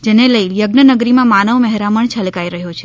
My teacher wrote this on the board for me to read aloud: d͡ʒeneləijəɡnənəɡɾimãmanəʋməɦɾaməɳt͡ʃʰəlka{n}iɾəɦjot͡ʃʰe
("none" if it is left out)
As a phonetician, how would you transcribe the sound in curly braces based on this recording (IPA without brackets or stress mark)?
none